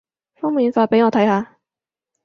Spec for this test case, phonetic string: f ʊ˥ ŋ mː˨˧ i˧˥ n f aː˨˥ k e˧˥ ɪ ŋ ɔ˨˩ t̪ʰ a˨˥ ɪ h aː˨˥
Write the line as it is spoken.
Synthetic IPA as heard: f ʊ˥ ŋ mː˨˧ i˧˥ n f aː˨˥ p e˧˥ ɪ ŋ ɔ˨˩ t̪ʰ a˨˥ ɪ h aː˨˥